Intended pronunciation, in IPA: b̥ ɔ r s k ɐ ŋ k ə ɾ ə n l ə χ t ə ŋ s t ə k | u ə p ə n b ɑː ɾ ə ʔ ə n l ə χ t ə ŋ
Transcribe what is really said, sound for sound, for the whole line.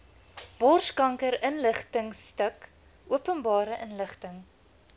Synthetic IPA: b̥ ɔ r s k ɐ ŋ k ə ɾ ə n l ə χ t ə ŋ s t ə k | u ə p ə n b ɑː ɾ ə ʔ ə n l ə χ t ə ŋ